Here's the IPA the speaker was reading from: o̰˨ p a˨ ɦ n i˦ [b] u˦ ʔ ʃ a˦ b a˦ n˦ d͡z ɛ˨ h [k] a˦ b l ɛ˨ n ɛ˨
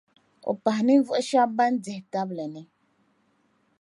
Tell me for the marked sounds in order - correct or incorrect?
incorrect, incorrect

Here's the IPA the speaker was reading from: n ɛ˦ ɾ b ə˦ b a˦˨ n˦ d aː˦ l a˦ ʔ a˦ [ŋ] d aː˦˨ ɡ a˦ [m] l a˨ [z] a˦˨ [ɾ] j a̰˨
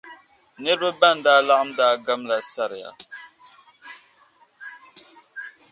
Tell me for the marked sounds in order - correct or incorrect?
incorrect, correct, incorrect, correct

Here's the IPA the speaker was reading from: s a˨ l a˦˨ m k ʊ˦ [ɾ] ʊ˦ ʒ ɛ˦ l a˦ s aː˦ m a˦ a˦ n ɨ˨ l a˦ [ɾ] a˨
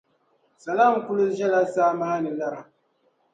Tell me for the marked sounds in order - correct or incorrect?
incorrect, correct

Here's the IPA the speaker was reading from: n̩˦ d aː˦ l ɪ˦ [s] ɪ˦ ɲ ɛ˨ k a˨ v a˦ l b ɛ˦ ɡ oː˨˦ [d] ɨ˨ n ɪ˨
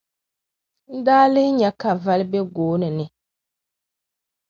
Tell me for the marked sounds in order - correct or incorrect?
incorrect, incorrect

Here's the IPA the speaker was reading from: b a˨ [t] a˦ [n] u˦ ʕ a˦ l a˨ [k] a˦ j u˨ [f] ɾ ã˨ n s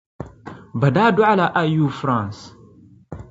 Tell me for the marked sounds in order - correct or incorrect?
incorrect, incorrect, incorrect, correct

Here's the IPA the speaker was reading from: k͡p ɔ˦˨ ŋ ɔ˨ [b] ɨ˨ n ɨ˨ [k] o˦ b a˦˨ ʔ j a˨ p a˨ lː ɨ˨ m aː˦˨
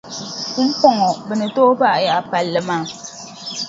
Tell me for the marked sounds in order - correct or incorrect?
correct, incorrect

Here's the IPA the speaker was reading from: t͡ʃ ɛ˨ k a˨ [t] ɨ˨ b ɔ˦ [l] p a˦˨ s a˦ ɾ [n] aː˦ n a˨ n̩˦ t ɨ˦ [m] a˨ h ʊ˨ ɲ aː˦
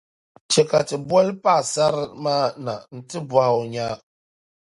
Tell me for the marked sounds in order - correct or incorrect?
correct, correct, incorrect, incorrect

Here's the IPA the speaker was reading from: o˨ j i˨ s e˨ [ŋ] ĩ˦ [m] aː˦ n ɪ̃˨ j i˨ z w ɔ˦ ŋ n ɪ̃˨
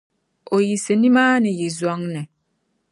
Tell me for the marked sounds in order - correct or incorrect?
incorrect, correct

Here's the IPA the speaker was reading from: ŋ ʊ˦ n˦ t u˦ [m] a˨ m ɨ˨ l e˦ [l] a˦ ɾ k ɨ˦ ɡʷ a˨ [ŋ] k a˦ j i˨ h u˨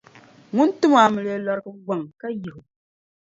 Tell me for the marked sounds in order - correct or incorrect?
correct, correct, correct

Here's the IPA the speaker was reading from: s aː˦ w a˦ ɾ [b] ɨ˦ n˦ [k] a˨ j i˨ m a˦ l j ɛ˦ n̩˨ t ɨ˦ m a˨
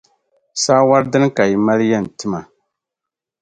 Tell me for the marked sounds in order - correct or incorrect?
incorrect, correct

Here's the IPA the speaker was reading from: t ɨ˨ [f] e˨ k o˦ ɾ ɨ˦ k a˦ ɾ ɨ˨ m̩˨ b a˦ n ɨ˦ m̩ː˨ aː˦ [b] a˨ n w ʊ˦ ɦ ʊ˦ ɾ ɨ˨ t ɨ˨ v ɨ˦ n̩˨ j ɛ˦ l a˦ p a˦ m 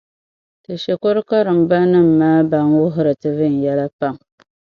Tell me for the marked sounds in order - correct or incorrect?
incorrect, correct

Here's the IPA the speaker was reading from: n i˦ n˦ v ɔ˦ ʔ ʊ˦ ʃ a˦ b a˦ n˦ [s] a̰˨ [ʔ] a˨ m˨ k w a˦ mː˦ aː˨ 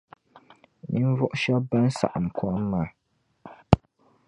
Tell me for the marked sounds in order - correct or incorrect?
correct, correct

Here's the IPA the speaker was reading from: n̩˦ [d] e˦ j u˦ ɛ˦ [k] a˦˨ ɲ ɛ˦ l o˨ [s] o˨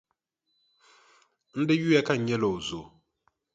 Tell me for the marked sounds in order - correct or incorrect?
correct, correct, incorrect

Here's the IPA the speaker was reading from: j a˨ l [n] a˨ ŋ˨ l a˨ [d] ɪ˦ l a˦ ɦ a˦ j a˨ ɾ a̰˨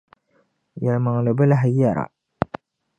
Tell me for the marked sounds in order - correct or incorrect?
incorrect, incorrect

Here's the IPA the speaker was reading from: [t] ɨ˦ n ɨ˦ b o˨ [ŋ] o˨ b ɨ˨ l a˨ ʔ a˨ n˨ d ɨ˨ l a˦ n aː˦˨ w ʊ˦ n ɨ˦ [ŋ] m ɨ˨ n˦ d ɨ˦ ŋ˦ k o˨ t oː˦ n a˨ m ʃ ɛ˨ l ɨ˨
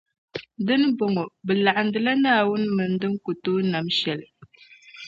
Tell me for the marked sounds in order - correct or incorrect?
incorrect, correct, incorrect

